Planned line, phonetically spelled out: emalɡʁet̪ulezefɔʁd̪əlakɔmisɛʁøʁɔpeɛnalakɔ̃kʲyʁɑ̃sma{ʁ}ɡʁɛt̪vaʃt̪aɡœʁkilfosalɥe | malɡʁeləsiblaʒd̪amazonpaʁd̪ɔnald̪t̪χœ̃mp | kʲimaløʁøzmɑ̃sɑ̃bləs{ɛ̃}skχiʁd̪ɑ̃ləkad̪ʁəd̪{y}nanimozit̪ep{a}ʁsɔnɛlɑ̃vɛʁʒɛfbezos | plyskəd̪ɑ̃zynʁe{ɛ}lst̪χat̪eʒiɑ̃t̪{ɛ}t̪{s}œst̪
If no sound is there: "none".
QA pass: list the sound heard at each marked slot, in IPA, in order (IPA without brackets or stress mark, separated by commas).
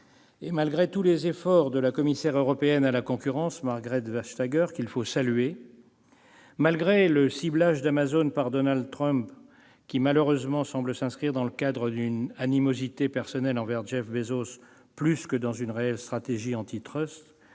ʁ, ɛ̃, y, ɛ, ɛ, i, χ